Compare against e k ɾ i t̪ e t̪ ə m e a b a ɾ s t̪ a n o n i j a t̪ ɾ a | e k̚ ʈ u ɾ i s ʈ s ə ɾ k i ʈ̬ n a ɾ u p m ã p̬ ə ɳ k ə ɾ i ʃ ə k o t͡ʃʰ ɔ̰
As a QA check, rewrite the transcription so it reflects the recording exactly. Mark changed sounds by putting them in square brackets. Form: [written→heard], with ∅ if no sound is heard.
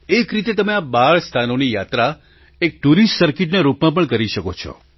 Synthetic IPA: e k ɾ i t̪ e t̪ ə m e a b a [ɾ→ɭ] s [t̪→t̪ʰ] a n o n i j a t̪ ɾ a | e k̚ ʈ u ɾ i s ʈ s ə ɾ k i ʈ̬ n a ɾ u p m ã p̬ ə ɳ k ə ɾ i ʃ ə k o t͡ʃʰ ɔ̰

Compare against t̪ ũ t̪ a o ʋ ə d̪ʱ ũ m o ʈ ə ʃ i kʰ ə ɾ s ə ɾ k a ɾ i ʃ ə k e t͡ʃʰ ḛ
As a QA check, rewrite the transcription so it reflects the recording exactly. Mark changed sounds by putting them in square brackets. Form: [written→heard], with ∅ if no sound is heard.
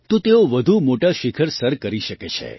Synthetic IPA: t̪ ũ t̪ [a→e] o ʋ ə d̪ʱ [ũ→u] m o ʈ [ə→a] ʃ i kʰ ə ɾ s ə ɾ k [a→ə] ɾ i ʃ ə k e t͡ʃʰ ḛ

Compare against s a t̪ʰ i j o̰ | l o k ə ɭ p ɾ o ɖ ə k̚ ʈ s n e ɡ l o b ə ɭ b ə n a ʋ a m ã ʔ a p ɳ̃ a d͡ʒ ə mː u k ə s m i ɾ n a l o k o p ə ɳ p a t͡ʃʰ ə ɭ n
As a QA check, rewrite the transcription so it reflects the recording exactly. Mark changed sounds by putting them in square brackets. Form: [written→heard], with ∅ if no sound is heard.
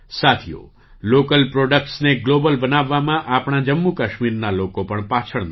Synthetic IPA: s a t̪ʰ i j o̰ | l o k ə [ɭ→l] p ɾ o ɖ ə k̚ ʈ s n e ɡ l o b ə [ɭ→l] b ə n a [ʋ→ʋː] a m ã ʔ a p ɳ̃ a d͡ʒ ə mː u k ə [s→ʃ] m i ɾ n a l o k o p ə ɳ p a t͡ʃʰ ə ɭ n

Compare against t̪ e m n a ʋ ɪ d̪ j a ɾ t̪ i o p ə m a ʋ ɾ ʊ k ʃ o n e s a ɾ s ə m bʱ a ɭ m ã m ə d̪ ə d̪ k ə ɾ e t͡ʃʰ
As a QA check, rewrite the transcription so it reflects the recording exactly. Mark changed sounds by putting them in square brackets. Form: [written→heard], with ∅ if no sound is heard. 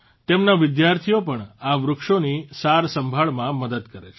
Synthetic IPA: t̪ e m n a ʋ ɪ d̪ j a ɾ [t̪→t̪ʰ] i o p ə [m→ɳ] a ʋ ɾ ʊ k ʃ o n [e→i] s a ɾ s ə m bʱ a ɭ m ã m ə d̪ ə d̪ k ə ɾ e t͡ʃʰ

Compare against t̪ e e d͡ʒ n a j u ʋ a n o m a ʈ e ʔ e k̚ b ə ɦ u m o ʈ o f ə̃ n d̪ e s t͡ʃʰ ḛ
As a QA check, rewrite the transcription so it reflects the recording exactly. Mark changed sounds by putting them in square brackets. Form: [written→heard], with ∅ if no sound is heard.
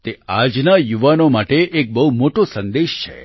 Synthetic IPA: t̪ e [e→a] d͡ʒ n a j u ʋ a n o m a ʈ e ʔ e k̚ b ə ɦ u m o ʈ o [f→s] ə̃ n d̪ e [s→ʃ] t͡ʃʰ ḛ

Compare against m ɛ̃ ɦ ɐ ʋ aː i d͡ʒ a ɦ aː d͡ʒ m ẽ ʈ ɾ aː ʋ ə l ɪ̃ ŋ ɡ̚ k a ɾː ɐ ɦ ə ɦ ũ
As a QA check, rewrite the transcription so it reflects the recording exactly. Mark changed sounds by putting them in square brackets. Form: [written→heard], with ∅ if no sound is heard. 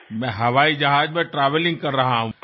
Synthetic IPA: m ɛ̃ ɦ ɐ ʋ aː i d͡ʒ [a→ɐ] ɦ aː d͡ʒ m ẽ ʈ ɾ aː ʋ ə l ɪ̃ ŋ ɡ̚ k [a→ɐ] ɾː ɐ ɦ [ə→a] ɦ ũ

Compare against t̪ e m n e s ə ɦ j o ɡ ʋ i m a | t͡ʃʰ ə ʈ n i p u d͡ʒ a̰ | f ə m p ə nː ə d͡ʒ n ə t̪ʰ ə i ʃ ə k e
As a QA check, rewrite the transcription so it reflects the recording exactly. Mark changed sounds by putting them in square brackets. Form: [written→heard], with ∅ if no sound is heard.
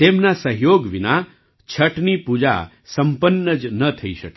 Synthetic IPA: t̪ e m n [e→a] s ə ɦ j o ɡ ʋ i [m→n] a | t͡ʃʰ ə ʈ n i p u d͡ʒ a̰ | [f→s] ə m p ə nː ə d͡ʒ n ə t̪ʰ ə i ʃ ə k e

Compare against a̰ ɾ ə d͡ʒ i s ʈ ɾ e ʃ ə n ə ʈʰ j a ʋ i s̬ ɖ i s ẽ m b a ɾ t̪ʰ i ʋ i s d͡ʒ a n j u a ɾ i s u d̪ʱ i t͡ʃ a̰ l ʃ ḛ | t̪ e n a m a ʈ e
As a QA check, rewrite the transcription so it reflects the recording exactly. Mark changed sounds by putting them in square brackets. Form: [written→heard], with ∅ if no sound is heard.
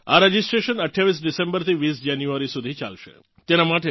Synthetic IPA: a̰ ɾ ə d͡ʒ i s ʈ ɾ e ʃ ə n ə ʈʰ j a ʋ i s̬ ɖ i s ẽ m b [a→ə] ɾ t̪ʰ i ʋ i s d͡ʒ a n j u a ɾ i s u d̪ʱ i t͡ʃ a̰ l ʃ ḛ | t̪ e n a m a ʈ e

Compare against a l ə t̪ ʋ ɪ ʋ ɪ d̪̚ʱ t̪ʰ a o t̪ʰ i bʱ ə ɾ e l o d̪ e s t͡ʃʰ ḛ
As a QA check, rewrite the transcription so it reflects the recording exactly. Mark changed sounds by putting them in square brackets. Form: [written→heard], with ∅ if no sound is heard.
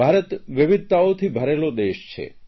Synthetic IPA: a [l→ɾ] ə t̪ ʋ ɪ ʋ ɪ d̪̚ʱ [t̪ʰ→t̪] a o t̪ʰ i bʱ ə ɾ e l o d̪ e [s→ʃ] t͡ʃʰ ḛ

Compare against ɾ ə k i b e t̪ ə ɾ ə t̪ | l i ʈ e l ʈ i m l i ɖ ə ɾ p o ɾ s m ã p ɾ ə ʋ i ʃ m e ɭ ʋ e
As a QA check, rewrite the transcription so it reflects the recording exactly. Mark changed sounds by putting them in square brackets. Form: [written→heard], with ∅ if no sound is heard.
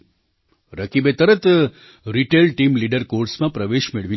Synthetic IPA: ɾ ə k i b e t̪ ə ɾ ə t̪ | [l→ɾ] i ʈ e l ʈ i m l i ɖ ə ɾ [p→k] o ɾ s m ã p ɾ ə ʋ [i→e] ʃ m e ɭ ʋ [e→i]

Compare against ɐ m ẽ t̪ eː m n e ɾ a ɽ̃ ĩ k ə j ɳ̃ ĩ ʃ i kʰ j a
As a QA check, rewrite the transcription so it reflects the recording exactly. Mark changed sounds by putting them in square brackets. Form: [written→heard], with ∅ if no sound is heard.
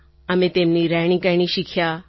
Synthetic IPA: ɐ m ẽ t̪ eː m n [e→i] ɾ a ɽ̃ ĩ k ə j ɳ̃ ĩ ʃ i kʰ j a

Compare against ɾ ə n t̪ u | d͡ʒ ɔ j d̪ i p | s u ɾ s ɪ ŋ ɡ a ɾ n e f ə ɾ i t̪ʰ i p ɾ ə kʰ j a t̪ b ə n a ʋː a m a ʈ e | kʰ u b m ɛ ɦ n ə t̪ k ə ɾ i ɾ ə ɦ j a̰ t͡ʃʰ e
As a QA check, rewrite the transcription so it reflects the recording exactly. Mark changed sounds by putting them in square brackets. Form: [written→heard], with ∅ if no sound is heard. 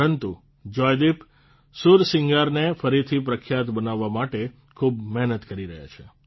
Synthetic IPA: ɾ ə n t̪ u | d͡ʒ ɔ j d̪ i p | s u ɾ s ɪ ŋ ɡ a ɾ n e f ə ɾ i t̪ʰ i p ɾ ə kʰ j a t̪ b ə n a ʋː a m a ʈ e | kʰ u b m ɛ ɦ n ə t̪ k ə ɾ i ɾ ə ɦ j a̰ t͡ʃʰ e

